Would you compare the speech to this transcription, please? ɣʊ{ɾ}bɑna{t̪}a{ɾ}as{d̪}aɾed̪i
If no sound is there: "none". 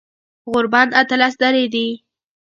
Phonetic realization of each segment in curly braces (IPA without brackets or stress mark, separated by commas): ɾ, t̪, l, d̪